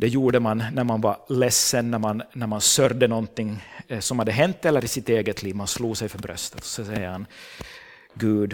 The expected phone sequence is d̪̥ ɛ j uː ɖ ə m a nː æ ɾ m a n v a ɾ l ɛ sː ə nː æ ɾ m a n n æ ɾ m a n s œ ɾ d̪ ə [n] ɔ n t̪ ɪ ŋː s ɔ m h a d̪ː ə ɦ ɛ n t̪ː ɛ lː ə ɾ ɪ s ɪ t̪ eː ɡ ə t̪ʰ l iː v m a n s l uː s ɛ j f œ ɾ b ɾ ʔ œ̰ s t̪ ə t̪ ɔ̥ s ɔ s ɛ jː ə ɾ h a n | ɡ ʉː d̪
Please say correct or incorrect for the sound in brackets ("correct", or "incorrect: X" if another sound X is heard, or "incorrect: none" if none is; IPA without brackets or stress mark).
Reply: correct